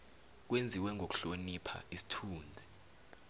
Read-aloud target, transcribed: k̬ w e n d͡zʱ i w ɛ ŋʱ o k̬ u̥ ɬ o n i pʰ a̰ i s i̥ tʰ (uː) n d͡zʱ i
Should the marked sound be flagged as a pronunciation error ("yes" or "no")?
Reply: no